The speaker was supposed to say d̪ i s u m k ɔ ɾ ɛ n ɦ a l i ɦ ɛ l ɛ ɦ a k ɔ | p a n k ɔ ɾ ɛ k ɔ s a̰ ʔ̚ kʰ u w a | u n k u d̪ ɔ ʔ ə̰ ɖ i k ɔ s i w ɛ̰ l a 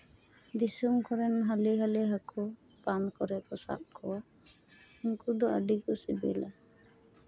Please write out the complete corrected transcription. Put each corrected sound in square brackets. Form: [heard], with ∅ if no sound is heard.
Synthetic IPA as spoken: d̪ i s u m k ɔ ɾ ɛ n ɦ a l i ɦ [a] l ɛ ɦ a k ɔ | p a n k ɔ ɾ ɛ k ɔ s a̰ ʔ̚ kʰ [ɔ] w a | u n k u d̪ ɔ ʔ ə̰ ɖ i k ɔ s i [b] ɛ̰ l a